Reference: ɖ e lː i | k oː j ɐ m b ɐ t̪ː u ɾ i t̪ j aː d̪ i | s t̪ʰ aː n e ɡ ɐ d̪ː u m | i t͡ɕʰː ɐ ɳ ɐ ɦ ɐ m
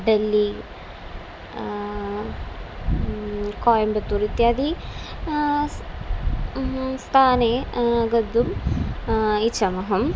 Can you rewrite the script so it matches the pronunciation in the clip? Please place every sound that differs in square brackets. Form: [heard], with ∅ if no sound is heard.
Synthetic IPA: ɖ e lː i | k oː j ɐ m b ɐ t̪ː u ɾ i t̪ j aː d̪ i | s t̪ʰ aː n e ɡ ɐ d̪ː u m | i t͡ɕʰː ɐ [m] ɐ ɦ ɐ m

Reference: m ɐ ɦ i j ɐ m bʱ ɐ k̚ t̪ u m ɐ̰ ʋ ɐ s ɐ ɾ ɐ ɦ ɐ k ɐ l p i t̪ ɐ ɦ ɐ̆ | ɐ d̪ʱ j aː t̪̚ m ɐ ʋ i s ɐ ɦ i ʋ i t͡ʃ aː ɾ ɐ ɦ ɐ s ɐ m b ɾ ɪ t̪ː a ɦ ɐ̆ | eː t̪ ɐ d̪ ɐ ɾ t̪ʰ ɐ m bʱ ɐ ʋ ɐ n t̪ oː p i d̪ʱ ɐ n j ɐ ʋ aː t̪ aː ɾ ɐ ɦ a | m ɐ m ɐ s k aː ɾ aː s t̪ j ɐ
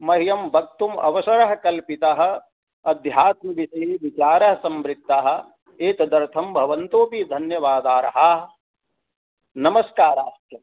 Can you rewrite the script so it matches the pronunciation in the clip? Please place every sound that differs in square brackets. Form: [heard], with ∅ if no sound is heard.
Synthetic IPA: m ɐ ɦ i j ɐ m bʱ ɐ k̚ t̪ u m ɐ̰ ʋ ɐ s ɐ ɾ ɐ ɦ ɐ k ɐ l p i t̪ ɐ ɦ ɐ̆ | ɐ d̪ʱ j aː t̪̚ m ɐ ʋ i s ɐ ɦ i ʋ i t͡ʃ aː ɾ ɐ ɦ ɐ s ɐ m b ɾ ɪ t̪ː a ɦ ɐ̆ | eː t̪ ɐ d̪ ɐ ɾ t̪ʰ ɐ m bʱ ɐ ʋ ɐ n t̪ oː p i d̪ʱ ɐ n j ɐ ʋ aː [d̪] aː ɾ ɐ ɦ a | [n] ɐ m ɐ s k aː ɾ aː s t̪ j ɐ

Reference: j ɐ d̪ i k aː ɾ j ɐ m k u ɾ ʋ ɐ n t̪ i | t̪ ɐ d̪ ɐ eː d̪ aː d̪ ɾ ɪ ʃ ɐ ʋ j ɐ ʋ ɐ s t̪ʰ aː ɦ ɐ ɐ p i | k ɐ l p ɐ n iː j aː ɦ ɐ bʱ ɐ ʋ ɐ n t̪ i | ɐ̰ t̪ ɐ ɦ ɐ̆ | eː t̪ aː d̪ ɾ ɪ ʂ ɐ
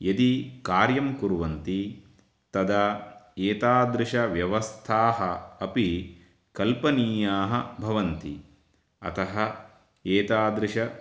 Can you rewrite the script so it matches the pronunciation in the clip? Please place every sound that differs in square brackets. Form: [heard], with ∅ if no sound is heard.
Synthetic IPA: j ɐ d̪ i k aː ɾ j ɐ m k u ɾ ʋ ɐ n t̪ i | t̪ ɐ d̪ ɐ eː [t̪] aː d̪ ɾ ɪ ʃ ɐ ʋ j ɐ ʋ ɐ s t̪ʰ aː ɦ ɐ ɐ p i | k ɐ l p ɐ n iː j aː ɦ ɐ bʱ ɐ ʋ ɐ n t̪ i | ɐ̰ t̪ ɐ ɦ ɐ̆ | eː t̪ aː d̪ ɾ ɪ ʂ ɐ

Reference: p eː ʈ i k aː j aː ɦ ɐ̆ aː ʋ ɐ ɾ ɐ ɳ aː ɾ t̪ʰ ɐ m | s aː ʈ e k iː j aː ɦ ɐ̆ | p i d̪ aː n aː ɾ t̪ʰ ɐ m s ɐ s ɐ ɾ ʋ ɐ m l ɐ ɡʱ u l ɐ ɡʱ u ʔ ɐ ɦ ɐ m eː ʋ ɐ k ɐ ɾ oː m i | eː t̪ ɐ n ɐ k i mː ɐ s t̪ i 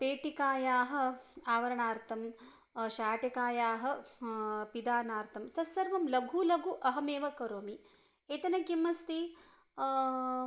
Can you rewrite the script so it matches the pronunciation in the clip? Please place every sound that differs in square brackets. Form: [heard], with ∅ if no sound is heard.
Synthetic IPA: p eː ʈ i k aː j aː ɦ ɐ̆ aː ʋ ɐ ɾ ɐ ɳ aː ɾ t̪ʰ ɐ m | [ʃ] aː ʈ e k [aː] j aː ɦ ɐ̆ | p i d̪ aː n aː ɾ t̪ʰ ɐ m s ɐ s ɐ ɾ ʋ ɐ m l ɐ ɡʱ u l ɐ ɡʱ u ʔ ɐ ɦ ɐ m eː ʋ ɐ k ɐ ɾ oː m i | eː t̪ ɐ n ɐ k i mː ɐ s t̪ i

